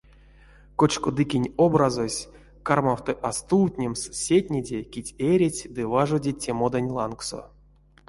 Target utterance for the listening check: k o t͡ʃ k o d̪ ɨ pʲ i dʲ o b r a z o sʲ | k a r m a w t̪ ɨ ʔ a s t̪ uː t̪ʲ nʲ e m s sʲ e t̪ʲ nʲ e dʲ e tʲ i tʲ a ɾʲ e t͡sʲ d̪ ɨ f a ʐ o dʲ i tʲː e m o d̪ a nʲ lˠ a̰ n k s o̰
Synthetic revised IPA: k o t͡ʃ k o d̪ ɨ kʲ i nʲ o b r a z o sʲ | k a r m a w t̪ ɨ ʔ a s t̪ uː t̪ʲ nʲ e m s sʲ e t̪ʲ nʲ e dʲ e kʲ i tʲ e ɾʲ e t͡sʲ d̪ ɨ v a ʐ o dʲ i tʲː e m o d̪ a nʲ lˠ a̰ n k s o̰